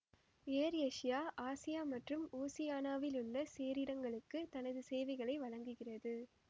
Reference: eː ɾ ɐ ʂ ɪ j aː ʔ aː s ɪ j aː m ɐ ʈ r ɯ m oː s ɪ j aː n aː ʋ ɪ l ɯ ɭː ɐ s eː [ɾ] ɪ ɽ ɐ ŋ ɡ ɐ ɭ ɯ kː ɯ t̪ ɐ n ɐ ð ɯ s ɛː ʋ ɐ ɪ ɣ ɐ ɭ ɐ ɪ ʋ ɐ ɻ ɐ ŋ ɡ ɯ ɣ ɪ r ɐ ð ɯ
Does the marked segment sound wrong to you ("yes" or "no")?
no